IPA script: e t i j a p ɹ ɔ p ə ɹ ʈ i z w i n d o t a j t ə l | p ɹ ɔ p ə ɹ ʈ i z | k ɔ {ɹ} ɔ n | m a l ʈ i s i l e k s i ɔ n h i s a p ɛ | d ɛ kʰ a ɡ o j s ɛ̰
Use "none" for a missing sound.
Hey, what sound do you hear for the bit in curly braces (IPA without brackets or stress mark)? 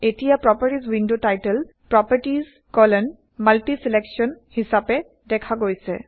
l